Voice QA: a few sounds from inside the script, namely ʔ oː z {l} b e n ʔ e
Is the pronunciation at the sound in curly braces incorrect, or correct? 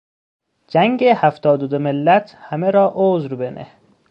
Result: incorrect